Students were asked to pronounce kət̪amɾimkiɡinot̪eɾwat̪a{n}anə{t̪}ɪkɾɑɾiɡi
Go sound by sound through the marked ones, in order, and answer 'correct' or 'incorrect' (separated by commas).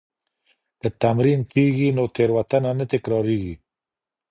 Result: correct, correct